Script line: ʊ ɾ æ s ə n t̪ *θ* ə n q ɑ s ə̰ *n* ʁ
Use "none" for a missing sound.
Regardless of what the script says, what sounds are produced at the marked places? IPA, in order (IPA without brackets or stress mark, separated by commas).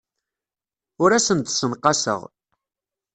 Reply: s, none